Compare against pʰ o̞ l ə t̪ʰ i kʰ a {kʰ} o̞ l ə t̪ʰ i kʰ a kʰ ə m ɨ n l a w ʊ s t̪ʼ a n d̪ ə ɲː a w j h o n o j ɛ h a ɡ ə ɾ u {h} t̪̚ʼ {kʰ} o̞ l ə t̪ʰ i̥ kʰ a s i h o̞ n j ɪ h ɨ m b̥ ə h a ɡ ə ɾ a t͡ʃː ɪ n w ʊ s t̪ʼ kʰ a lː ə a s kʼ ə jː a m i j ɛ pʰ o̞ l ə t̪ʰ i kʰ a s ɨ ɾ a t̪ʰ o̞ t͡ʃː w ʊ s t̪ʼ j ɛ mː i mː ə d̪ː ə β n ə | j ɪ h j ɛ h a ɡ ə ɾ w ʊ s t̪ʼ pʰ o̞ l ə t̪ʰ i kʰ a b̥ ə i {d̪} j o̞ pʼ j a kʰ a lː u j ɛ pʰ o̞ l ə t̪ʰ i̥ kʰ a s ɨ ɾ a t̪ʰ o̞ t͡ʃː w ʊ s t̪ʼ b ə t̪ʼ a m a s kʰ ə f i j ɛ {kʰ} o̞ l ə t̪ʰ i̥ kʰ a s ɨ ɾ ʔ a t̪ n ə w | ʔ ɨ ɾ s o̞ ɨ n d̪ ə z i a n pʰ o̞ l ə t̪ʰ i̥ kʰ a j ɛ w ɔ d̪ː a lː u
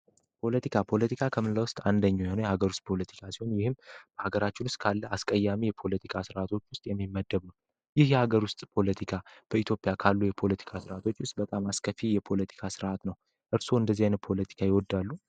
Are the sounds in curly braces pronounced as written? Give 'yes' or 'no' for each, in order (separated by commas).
no, no, no, no, no